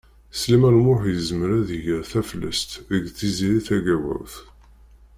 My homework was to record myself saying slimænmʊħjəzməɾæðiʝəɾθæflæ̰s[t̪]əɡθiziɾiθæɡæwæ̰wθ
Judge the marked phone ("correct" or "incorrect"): correct